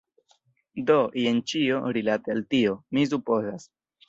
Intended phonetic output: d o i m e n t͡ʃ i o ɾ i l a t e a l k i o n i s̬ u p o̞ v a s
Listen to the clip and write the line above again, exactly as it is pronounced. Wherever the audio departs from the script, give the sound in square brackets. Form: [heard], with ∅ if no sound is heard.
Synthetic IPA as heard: d o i [∅] e n t͡ʃ i o ɾ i l a t e a l [t] i o [m] i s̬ u p o̞ [z] a s